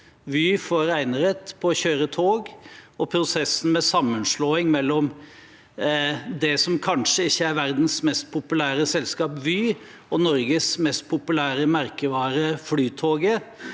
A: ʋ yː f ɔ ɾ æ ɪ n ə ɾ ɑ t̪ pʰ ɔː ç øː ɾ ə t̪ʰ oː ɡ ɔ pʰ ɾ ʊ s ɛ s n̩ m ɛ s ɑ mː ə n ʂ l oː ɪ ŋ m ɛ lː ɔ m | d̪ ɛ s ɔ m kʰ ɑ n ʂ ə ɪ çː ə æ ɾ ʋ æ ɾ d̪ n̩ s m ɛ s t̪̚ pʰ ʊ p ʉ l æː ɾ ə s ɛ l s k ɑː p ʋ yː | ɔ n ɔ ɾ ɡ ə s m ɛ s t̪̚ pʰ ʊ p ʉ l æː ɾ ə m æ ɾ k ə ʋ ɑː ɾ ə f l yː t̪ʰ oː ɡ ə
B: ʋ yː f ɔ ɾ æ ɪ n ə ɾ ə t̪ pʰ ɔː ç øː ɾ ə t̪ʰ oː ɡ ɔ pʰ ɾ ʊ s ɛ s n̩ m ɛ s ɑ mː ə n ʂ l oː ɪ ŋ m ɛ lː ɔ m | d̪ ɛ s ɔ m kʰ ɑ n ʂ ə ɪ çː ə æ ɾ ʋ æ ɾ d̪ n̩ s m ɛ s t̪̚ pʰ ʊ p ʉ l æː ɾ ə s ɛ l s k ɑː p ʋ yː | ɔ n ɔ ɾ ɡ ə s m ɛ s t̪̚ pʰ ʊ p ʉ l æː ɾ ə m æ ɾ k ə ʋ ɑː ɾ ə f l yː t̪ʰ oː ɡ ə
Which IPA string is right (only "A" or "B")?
B